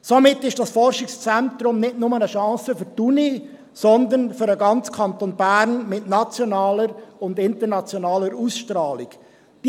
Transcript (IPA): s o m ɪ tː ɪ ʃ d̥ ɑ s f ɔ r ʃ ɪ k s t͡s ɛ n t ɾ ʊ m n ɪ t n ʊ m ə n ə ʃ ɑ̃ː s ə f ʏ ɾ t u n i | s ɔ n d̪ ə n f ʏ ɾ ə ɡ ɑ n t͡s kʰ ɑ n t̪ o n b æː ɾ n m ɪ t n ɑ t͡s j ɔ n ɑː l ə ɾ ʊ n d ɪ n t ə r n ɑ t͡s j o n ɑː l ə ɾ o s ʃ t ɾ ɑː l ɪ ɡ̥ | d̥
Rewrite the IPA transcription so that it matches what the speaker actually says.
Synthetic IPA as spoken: s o m ɪ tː ɪ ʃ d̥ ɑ s f ɔ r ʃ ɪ k s t͡s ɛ n t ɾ ʊ m n ɪ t n ʊ m ə n ə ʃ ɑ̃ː s ə f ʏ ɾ t u n i | s ɔ n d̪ ə n f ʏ ɾ ə ɡ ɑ n t͡s kʰ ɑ n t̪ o n b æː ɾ n m ɪ t n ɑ t͡s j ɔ n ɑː l ə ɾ ʊ n d ɪ n t ə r n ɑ t͡s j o n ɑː l ə ɾ u s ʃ t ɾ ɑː l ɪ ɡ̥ | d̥

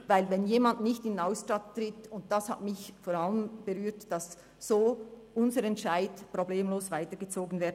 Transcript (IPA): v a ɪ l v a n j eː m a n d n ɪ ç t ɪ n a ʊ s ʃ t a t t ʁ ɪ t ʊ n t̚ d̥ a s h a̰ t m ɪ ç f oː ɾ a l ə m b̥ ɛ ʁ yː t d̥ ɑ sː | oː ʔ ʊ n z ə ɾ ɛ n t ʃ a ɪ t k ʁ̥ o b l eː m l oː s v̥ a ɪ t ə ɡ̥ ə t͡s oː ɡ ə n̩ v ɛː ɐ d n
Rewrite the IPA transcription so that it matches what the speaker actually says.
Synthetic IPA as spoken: v a ɪ l v ɛ n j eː m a n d n ɪ ç t ɪ n a ʊ s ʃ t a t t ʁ ɪ t ʊ n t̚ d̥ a s h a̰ t m ɪ ç f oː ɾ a l ə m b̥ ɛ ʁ yː t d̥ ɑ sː | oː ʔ ʊ n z ə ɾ ɛ n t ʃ a ɪ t p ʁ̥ o b l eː m l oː s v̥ a ɪ t ə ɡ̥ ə t͡s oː ɡ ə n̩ v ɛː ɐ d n

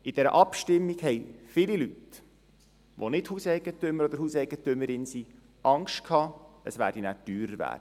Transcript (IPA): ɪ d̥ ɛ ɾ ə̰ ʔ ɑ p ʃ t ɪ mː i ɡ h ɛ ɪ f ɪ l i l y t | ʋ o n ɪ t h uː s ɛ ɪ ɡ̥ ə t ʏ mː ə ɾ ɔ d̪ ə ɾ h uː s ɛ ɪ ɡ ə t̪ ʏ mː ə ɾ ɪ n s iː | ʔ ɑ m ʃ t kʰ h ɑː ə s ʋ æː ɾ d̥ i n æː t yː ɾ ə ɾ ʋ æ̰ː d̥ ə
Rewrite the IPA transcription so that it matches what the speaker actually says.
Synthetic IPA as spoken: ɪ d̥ ɛ ɾ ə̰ ʔ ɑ p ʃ t ɪ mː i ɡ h ɛ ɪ f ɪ l i l y t | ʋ o n ɪ t h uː s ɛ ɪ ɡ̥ ə t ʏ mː ə ɾ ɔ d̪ ə ɾ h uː s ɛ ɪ ɡ ə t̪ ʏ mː ə ɾ ɪ n s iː | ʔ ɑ ŋ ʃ t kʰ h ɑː ə s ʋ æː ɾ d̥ i n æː t yː ɾ ə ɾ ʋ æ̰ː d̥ ə

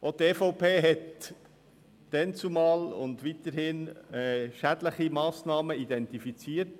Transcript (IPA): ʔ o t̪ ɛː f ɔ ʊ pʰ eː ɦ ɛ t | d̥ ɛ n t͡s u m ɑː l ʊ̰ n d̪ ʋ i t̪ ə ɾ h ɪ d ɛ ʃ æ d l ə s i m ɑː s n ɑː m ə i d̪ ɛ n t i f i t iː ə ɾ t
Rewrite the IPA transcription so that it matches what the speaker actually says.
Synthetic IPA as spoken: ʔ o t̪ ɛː f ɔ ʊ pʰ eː ɦ ɛ t | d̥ ɛ n t͡s u m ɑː l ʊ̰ n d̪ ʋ i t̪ ə ɾ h ɪ n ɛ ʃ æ d l ə χ i m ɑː s n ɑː m ə i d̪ ɛ n t i f i t͡s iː ə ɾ t

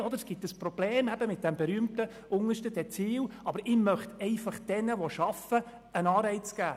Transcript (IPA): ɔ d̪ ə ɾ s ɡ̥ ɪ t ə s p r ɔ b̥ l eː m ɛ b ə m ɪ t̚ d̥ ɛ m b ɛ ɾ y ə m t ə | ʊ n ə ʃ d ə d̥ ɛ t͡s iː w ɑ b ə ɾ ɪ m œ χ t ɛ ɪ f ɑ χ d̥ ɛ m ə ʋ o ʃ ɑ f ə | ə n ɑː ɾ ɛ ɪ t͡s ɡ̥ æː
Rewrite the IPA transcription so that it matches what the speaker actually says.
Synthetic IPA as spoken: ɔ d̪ ə ɾ s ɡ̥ ɪ t ə s p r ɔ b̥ l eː m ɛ b ə m ɪ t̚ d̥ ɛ m b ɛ ɾ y ə m t ə | ʊ ŋ ə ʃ t ə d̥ ɛ t͡s iː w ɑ b ə ɾ ɪ m œ χ t ɛ ɪ f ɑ χ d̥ ɛ n ə ʋ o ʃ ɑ f ə | ə n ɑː ɾ ɛ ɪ t͡s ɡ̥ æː

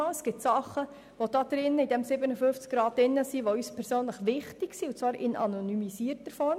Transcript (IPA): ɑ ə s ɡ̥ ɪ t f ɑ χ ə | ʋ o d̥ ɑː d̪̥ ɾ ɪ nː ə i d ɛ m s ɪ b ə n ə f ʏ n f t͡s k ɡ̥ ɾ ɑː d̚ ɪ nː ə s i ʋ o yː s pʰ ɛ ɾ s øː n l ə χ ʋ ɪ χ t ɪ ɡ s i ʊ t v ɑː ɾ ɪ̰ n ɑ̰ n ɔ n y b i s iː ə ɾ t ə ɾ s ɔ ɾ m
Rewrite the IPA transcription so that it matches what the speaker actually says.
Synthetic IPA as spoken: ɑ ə s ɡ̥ ɪ t s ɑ χ ə | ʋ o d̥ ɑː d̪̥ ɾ ɪ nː ə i d ɛ m s ɪ b ə n ə f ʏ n f t͡s k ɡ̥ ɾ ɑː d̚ ɪ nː ə s i ʋ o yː s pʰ ɛ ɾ s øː n l ə χ ʋ ɪ χ t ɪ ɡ s i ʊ t͡s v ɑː ɾ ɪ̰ n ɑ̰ n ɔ n y m i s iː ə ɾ t ə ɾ f ɔ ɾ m

